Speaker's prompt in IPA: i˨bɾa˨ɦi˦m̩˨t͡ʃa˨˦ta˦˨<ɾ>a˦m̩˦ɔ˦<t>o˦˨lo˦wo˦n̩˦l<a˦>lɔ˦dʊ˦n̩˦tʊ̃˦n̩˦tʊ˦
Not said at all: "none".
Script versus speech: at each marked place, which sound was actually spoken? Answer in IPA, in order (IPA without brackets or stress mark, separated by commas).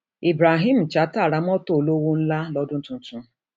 ɾ, t, a˦